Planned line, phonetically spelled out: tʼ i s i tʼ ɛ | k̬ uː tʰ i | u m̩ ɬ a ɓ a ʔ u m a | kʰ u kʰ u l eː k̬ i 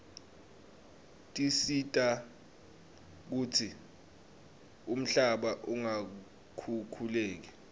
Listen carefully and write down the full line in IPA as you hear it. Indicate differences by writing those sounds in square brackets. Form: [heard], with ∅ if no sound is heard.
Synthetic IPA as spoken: tʼ i s i tʼ [a] | k̬ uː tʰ i | u m̩ ɬ a ɓ a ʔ u [ŋ] a | kʰ u kʰ u l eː k̬ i